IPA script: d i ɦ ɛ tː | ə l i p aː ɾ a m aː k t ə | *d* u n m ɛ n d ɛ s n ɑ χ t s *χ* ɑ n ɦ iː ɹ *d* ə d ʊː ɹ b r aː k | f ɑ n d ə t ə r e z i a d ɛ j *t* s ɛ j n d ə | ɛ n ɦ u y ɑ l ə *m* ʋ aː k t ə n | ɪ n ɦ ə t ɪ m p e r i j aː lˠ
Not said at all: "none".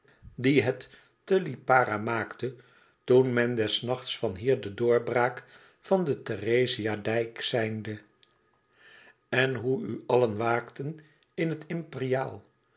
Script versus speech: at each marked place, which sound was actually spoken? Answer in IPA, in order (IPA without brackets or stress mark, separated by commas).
t, f, d, k, n